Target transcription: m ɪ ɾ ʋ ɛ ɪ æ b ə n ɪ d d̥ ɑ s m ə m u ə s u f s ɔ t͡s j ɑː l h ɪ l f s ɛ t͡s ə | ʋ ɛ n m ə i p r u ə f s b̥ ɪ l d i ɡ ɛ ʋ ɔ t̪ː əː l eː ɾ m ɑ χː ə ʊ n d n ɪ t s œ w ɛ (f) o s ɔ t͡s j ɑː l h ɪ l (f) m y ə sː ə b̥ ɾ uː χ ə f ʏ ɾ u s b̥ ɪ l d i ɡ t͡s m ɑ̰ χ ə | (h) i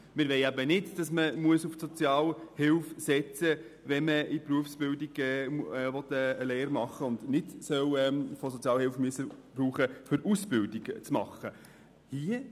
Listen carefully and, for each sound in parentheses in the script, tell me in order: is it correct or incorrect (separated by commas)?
correct, correct, correct